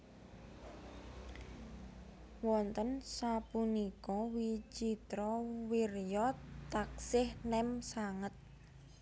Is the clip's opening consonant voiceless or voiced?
voiced